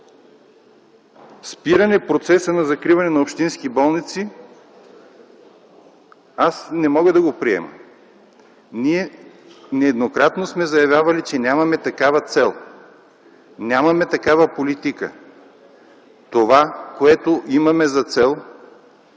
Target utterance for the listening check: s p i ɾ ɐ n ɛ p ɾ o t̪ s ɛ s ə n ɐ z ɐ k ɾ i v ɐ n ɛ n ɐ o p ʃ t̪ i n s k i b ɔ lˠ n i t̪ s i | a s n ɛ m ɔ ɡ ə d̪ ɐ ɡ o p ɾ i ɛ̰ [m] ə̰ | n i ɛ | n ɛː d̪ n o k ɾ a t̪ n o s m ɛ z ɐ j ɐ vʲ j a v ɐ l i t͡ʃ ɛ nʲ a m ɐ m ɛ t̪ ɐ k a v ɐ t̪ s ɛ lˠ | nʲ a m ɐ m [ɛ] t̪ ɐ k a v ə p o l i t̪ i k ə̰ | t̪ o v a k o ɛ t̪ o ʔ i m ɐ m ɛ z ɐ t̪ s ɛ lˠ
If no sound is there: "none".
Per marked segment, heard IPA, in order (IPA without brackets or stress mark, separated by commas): m, ɛ